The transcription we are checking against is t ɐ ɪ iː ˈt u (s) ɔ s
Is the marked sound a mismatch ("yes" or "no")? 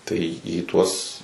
yes